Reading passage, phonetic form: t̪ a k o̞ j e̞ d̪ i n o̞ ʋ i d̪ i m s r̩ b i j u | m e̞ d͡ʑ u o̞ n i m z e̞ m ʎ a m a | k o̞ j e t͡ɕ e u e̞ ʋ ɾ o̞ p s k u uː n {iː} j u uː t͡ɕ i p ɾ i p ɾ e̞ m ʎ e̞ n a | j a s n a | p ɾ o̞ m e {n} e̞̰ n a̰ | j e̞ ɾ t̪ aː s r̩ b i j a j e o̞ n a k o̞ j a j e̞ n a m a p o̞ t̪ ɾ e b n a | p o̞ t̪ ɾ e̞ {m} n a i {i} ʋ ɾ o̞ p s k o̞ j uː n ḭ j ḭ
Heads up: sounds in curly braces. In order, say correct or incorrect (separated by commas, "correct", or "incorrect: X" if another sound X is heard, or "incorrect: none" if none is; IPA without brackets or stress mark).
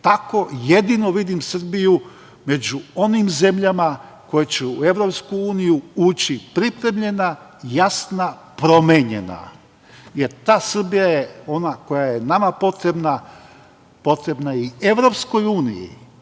incorrect: i, incorrect: ɲ, incorrect: b, incorrect: e